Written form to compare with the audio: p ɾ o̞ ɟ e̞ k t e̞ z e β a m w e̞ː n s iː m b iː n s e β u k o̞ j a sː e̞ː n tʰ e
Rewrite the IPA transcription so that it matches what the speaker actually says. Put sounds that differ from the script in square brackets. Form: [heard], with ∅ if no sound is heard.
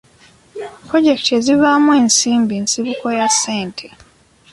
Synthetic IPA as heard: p ɾ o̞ ɟ e̞ k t e̞ z [i] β a m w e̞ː n s iː m b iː n s [i] β u k o̞ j a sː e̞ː n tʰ e